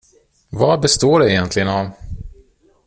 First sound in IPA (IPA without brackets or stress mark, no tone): v